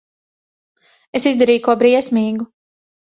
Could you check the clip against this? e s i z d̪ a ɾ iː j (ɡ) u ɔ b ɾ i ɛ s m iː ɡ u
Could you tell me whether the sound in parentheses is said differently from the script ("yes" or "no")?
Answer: yes